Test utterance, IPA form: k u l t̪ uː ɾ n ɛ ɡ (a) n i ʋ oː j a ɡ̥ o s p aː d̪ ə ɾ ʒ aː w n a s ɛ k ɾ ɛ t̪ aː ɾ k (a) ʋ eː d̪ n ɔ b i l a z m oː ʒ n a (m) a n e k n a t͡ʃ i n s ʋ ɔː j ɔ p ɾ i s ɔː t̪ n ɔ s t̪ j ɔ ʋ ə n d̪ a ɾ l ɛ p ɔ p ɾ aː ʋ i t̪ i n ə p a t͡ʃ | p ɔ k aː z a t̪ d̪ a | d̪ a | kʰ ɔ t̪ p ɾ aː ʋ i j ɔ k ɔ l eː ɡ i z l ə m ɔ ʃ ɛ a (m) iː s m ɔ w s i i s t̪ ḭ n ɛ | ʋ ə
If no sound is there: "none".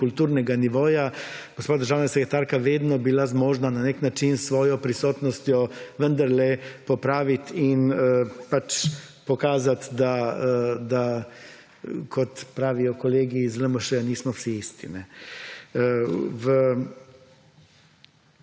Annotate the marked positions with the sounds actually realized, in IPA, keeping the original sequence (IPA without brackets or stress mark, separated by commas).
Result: a, a, n, n